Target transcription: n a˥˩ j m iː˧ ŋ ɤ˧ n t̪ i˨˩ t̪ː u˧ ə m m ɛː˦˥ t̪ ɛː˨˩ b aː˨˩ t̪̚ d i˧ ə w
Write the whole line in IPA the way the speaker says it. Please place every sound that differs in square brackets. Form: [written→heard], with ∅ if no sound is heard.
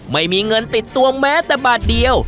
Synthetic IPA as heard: [n→m] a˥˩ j m iː˧ ŋ ɤ˧ n t̪ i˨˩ t̪ː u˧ ə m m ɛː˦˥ t̪ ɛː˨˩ b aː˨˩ t̪̚ d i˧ ə w